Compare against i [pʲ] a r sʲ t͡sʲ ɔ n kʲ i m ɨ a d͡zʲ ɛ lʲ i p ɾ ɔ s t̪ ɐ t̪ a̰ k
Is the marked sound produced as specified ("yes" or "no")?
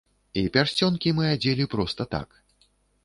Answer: yes